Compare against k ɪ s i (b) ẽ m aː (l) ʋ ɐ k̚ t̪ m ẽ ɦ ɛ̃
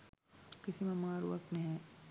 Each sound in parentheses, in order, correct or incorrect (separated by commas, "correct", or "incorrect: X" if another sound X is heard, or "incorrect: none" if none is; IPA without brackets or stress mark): incorrect: m, incorrect: ɾ